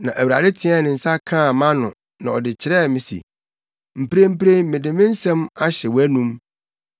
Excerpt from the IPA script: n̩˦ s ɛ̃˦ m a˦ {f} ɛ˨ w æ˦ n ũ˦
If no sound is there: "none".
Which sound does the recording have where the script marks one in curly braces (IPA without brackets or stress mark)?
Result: ɕ